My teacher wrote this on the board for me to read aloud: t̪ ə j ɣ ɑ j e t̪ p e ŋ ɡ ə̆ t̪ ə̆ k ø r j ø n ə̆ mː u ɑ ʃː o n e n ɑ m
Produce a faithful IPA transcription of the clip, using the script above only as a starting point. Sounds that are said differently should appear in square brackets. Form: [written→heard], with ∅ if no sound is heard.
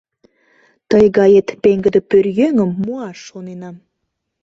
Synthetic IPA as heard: t̪ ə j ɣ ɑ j e t̪ p e ŋ ɡ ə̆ [t̪→d̪] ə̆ [k→p] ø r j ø [n→ŋ] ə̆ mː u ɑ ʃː o n e n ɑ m